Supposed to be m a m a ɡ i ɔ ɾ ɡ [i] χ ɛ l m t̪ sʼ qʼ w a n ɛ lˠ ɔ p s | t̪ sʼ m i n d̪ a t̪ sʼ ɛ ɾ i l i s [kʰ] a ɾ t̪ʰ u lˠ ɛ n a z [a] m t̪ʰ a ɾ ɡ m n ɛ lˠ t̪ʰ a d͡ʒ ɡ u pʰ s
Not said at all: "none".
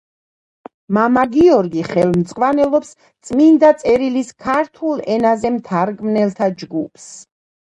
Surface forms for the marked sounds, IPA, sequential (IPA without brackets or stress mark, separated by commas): i, kʰ, ɛ